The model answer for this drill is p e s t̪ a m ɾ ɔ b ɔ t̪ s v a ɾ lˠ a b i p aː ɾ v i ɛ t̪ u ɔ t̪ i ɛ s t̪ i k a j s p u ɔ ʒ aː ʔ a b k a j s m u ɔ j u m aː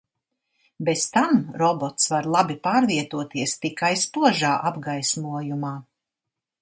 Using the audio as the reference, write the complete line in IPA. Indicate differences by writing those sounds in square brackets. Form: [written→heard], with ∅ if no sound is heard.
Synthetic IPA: [p→b] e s t̪ a m ɾ ɔ b ɔ t̪ s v a ɾ lˠ a b i p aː ɾ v i ɛ t̪ u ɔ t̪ i ɛ s t̪ i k a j s p u ɔ ʒ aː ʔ a b [k→ɡ] a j s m u ɔ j u m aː